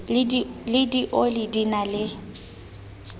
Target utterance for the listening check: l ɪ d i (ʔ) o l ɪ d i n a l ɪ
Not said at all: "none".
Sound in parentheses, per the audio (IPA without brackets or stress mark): ʔ